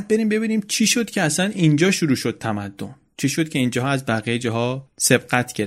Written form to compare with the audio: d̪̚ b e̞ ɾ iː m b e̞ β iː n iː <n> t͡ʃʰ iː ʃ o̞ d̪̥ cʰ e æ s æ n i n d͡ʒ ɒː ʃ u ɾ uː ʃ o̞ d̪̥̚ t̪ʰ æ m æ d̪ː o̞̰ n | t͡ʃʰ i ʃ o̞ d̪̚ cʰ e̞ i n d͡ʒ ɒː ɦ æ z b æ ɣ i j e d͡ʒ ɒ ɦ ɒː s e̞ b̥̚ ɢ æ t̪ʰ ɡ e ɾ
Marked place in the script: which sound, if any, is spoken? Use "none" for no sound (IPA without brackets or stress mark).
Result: m